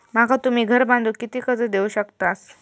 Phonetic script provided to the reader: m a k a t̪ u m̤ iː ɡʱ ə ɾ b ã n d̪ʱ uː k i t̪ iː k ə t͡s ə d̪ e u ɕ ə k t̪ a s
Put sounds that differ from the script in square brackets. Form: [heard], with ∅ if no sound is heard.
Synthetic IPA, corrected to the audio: m a k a t̪ u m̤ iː ɡʱ ə ɾ b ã n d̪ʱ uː k i t̪ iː k ə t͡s ə d̪ e u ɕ ə k t̪ a s